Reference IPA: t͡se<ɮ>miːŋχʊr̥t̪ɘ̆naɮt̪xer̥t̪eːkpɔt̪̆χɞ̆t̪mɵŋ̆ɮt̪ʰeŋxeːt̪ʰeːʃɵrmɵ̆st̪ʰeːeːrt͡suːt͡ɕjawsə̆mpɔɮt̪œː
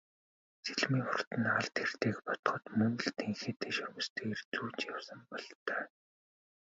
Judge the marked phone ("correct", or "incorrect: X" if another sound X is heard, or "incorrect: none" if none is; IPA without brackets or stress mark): correct